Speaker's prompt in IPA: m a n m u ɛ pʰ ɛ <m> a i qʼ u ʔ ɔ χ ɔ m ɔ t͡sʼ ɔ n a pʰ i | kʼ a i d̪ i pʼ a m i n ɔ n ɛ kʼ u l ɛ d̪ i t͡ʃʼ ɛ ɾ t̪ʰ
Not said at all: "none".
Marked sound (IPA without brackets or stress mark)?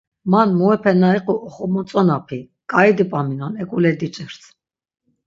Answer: n